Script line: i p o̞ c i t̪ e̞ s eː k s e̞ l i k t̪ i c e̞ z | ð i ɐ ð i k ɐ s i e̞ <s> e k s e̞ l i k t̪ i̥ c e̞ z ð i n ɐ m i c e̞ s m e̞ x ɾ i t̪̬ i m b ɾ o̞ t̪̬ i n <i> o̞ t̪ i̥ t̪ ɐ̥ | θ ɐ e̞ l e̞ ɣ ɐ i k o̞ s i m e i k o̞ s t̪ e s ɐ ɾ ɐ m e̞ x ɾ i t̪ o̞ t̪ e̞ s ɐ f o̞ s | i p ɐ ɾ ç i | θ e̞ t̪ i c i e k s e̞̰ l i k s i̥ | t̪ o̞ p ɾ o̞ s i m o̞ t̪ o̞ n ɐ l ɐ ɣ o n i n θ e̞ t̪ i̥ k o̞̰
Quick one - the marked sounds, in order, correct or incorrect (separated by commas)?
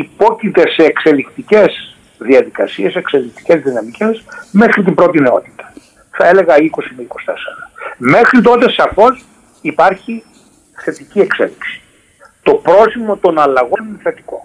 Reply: correct, incorrect